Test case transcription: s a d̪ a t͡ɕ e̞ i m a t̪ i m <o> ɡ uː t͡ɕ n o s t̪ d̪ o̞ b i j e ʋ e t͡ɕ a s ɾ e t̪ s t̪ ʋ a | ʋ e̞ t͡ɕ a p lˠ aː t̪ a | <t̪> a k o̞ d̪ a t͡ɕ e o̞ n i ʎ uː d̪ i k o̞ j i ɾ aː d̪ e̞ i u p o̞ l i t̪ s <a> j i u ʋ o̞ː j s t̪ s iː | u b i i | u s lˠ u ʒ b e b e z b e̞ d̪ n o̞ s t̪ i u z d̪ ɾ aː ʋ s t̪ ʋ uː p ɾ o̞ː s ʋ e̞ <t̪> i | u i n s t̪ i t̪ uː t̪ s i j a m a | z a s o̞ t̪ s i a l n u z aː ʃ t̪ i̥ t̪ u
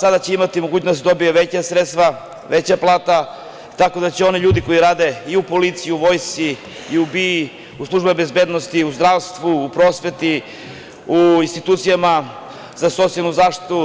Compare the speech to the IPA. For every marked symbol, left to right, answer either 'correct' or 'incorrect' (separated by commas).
correct, correct, incorrect, correct